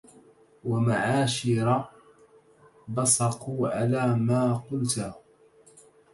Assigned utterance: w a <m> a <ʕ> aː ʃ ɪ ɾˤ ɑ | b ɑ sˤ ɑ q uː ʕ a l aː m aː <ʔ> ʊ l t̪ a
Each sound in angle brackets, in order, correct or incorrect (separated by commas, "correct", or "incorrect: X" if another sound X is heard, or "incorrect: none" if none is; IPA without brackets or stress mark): correct, correct, incorrect: q